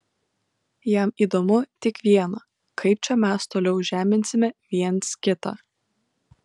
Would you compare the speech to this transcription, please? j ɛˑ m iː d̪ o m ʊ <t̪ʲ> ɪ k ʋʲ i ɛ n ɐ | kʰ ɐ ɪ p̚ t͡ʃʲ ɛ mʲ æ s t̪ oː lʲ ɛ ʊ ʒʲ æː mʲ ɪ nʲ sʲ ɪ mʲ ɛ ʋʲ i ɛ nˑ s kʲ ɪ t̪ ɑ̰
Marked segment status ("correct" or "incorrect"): correct